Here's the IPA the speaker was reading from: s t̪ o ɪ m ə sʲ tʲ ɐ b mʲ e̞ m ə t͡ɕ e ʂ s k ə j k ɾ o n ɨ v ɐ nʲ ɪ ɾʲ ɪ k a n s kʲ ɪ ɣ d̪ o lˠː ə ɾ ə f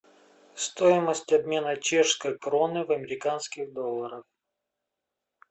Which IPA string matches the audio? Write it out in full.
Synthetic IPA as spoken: s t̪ o ɪ m ə sʲ tʲ ɐ b mʲ e̞ n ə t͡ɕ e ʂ s k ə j k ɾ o n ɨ v ɐ mʲ ɪ ɾʲ ɪ k a n s kʲ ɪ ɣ d̪ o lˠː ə ɾ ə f

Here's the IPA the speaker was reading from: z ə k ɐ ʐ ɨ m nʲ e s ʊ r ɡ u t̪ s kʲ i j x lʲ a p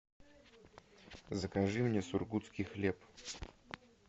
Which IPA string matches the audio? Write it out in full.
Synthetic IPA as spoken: z ə k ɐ ʐ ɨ m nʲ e s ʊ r ɡ u t̪ s kʲ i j x lʲ e p

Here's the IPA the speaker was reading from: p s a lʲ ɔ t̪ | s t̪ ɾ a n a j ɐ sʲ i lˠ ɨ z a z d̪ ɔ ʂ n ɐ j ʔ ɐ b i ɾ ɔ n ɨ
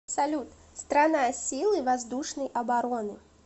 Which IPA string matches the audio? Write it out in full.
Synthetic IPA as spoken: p s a lʲ u t̪ | s t̪ ɾ a n a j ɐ sʲ i lˠ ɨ v a z d̪ u ʂ n ɐ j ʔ ɐ b a ɾ ɔ n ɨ

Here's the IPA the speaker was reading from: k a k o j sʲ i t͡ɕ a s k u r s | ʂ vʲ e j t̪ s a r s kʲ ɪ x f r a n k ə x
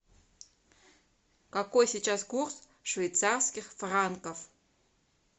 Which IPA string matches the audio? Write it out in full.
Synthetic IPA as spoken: k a k o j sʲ i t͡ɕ a s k u r s | ʂ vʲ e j t̪ s a r s kʲ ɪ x f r a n k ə f

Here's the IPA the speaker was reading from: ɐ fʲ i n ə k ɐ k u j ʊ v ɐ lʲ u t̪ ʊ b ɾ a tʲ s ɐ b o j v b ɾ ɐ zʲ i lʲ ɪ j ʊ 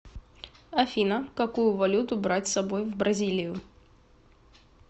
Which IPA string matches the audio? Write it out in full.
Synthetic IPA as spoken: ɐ fʲ i n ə k ɐ k u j ʊ v ɐ lʲ u t̪ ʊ b ɾ a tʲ s ɐ b o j v b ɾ ɐ zʲ i lʲ ɪ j ʊ

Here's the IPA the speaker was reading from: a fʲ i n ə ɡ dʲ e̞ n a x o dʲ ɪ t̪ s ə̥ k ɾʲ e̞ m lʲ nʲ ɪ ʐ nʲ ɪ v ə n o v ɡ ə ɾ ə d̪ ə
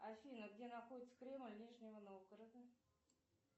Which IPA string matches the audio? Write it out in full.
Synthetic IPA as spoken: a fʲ i n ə ɡ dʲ e̞ n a x o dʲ ɪ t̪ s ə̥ k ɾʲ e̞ m lʲ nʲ i ʐ nʲ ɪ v ə n o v ɡ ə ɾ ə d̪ ə

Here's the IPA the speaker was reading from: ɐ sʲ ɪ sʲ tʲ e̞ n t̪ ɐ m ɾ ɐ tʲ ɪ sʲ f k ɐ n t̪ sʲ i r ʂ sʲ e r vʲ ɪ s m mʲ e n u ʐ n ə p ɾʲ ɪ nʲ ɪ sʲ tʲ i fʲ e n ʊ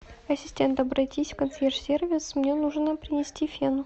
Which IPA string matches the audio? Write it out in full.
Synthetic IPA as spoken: ɐ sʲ ɪ sʲ tʲ e̞ n t̪ ɐ b ɾ ɐ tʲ i sʲ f k ɐ n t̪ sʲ e r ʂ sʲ e r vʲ ɪ s m nʲ e n u ʐ n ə p ɾʲ ɪ nʲ ɪ sʲ tʲ i fʲ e n ʊ

